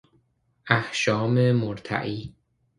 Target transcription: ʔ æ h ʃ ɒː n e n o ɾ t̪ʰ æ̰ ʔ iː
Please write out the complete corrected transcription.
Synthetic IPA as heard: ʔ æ h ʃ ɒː m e m o ɾ t̪ʰ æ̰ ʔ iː